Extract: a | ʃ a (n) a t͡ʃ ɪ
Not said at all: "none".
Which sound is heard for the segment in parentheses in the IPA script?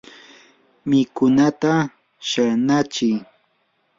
n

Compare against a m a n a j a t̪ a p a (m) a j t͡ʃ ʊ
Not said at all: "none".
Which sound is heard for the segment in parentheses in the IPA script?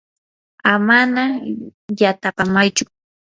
m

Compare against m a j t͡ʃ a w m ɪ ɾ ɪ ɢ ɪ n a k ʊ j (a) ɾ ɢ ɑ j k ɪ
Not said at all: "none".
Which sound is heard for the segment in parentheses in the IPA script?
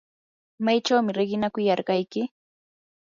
ɑ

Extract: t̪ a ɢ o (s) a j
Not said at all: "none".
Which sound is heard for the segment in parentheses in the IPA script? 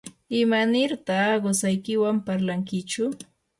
s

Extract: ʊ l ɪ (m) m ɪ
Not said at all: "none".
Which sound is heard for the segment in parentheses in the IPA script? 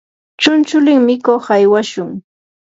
ŋ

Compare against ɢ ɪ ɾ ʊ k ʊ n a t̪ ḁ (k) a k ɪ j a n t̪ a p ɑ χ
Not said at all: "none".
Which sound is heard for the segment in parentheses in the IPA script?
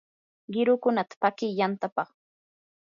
p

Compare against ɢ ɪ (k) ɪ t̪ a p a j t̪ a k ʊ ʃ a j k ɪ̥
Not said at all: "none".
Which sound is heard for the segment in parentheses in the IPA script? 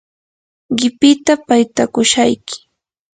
p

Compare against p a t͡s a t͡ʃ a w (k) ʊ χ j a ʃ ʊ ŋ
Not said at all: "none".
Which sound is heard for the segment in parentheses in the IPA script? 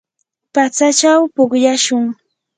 p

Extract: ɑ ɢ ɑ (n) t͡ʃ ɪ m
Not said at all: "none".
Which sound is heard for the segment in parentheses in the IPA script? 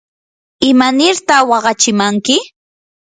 none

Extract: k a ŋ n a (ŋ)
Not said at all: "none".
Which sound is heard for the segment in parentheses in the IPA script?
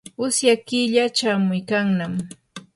m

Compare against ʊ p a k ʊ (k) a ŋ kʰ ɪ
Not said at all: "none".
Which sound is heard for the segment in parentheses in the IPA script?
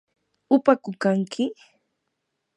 k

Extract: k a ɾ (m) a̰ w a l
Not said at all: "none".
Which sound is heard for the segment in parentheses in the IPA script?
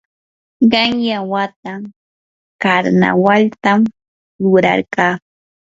n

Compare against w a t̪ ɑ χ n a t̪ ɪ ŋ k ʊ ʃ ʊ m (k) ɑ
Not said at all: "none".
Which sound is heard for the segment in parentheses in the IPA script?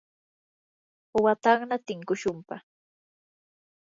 p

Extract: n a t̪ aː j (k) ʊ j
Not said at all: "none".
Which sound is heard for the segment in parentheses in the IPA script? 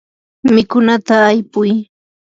p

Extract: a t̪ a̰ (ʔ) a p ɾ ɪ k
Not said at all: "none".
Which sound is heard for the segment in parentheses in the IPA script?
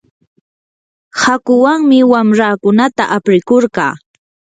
ʔ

